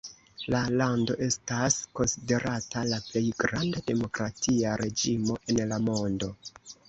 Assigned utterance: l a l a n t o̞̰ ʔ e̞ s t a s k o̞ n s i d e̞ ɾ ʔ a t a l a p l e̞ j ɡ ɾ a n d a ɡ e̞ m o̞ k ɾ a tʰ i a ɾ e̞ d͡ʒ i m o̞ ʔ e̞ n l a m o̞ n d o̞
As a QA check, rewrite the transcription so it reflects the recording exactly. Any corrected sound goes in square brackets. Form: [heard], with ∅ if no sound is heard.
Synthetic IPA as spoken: l a l a n [d] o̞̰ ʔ e̞ s t a s k o̞ n s i d e̞ ɾ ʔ a t a l a p l e̞ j ɡ ɾ a n d a [d] e̞ m o̞ k ɾ a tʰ i a ɾ e̞ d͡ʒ i m o̞ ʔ e̞ n l a m o̞ n d o̞